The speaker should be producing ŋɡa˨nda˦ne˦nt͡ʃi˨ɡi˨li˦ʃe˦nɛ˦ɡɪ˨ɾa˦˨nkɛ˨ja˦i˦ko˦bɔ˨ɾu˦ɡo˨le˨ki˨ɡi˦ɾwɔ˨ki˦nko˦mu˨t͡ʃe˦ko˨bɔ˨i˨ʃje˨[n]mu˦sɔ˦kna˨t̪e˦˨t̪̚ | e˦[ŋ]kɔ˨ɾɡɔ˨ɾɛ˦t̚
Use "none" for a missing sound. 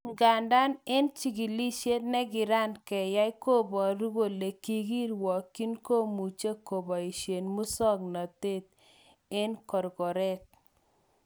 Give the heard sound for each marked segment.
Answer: n, n

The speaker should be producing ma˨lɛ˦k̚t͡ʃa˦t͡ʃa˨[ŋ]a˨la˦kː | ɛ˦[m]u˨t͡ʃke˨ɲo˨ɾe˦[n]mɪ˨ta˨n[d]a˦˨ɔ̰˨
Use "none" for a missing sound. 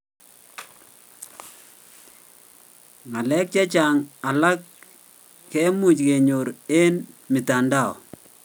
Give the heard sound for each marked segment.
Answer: ŋ, m, n, d

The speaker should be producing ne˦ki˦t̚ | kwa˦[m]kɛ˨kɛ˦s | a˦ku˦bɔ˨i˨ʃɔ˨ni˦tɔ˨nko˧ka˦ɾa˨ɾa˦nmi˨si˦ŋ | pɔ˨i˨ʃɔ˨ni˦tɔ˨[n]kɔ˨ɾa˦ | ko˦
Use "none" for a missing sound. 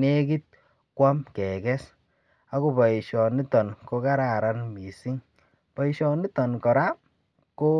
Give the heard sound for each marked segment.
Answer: m, n

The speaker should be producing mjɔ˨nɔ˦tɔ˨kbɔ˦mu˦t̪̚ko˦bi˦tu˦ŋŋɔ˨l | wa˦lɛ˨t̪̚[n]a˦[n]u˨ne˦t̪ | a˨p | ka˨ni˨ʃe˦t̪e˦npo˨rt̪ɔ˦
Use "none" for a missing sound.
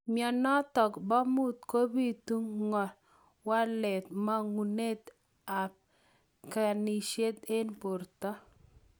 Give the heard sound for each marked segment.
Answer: m, ŋ

